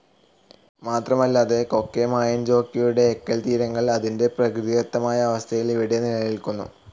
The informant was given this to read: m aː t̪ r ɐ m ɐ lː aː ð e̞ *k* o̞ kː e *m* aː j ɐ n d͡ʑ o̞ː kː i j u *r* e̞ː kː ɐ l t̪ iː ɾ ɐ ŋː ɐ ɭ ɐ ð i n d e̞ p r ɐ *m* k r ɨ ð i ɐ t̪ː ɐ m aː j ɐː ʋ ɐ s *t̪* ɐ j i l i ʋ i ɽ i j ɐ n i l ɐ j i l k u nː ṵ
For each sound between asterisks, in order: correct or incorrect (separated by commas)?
correct, correct, incorrect, incorrect, incorrect